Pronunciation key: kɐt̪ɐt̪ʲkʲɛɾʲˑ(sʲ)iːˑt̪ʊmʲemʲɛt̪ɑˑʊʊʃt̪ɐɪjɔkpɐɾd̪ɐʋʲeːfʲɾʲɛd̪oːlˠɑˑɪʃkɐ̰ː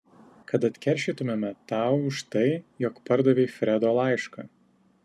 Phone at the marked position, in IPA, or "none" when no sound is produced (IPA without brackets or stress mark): ʃʲ